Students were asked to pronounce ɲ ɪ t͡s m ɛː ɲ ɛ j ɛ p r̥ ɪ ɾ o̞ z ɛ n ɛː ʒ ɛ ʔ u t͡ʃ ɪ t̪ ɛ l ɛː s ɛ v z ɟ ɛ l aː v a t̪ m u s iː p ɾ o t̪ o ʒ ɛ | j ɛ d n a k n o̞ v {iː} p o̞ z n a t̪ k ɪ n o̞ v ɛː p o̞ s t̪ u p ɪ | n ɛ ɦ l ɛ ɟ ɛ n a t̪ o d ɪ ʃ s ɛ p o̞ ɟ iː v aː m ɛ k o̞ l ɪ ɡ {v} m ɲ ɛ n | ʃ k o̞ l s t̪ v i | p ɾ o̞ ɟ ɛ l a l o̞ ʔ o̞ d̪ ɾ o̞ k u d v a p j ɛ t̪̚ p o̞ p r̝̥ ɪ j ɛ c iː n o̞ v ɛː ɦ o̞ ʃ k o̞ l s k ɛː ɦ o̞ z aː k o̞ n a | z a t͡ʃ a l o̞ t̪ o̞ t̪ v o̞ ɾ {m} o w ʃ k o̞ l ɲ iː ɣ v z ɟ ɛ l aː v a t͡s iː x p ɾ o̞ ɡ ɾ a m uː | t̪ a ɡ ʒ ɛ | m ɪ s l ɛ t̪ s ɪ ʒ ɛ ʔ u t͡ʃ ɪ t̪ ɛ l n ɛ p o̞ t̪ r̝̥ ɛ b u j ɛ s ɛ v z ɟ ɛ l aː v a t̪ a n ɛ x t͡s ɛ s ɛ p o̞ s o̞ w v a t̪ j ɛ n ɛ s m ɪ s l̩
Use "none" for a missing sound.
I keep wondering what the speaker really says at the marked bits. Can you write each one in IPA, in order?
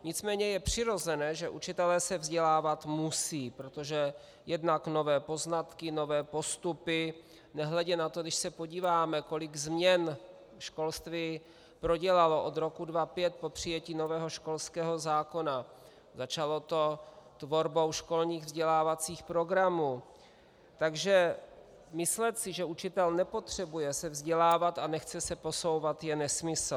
ɛː, z, b

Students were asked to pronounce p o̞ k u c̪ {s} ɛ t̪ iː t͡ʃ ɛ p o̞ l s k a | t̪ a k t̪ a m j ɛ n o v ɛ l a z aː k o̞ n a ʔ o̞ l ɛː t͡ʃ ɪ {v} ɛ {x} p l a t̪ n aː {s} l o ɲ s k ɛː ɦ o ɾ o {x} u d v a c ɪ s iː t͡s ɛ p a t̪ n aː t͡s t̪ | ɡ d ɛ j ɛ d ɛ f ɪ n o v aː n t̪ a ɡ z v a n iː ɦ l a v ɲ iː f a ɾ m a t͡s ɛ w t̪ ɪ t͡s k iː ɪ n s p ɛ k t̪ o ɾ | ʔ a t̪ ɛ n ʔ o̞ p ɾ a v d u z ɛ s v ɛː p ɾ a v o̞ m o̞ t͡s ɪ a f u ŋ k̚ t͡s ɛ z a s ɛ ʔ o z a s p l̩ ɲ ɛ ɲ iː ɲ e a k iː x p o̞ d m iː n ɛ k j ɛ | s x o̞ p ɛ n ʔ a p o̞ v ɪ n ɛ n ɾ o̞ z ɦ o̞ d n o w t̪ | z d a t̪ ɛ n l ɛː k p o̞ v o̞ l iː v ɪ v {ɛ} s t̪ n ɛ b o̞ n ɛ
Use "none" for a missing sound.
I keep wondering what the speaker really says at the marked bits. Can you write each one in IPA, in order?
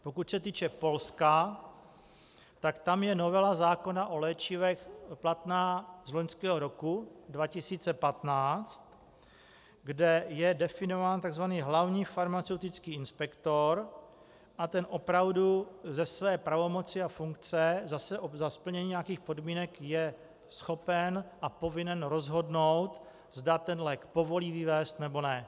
s, v, x, z, k, ɛː

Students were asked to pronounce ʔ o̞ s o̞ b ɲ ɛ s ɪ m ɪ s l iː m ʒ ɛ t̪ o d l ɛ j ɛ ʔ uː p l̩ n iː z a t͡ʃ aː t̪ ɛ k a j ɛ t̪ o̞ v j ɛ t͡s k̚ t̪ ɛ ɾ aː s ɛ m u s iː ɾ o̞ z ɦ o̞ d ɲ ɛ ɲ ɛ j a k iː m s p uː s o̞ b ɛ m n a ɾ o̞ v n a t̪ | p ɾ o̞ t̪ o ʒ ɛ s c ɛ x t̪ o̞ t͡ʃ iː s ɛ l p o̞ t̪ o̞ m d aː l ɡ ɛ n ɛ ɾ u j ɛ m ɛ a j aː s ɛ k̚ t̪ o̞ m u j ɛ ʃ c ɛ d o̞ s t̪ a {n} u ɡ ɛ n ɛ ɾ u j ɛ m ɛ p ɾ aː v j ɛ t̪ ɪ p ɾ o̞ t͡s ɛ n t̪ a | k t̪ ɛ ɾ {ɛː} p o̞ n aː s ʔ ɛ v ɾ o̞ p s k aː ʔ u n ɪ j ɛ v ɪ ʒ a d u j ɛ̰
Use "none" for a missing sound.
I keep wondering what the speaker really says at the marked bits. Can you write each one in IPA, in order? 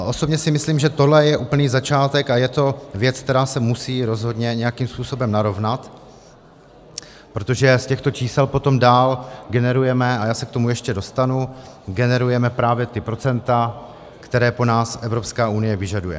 n, ɛː

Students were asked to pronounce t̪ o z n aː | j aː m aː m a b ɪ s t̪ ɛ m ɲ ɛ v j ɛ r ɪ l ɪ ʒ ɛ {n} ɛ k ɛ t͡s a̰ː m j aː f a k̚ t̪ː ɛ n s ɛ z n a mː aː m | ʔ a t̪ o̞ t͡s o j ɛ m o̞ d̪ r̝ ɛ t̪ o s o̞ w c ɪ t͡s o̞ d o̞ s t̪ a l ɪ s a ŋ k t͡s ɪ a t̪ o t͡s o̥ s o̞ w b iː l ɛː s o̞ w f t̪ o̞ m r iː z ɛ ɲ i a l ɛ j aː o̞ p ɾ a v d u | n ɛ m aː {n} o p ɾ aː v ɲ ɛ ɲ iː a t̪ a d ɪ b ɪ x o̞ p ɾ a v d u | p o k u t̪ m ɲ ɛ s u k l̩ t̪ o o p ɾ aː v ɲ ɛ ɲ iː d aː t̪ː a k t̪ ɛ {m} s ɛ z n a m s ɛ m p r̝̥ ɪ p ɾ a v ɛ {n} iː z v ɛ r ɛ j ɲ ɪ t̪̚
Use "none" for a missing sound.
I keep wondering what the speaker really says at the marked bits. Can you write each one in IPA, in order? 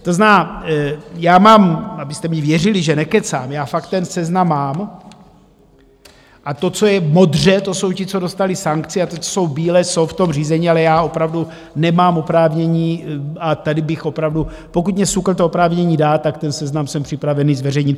n, m, n, n

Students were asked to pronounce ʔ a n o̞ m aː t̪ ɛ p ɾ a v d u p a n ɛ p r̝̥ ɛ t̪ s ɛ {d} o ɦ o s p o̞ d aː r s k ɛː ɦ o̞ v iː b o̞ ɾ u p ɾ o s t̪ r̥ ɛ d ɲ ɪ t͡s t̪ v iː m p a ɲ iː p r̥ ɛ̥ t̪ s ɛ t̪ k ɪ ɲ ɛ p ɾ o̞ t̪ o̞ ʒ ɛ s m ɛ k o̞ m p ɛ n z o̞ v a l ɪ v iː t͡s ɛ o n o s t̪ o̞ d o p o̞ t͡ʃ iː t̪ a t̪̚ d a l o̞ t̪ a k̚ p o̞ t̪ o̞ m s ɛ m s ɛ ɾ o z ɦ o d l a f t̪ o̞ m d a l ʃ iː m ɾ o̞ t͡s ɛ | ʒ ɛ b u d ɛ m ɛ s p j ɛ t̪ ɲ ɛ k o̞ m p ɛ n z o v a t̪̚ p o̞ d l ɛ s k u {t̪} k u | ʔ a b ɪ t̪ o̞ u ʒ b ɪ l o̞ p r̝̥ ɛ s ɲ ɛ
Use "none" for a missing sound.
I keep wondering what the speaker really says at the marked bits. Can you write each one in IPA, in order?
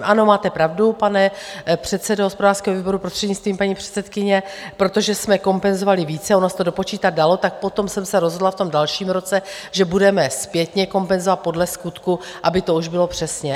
d, t̪

